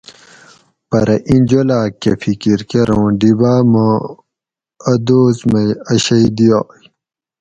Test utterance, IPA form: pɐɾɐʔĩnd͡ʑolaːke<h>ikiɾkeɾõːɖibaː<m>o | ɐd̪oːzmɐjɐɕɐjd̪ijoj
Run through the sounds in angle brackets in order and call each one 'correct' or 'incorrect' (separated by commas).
incorrect, correct